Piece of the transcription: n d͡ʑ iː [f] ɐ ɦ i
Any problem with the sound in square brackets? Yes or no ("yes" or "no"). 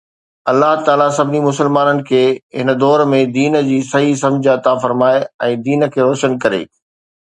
yes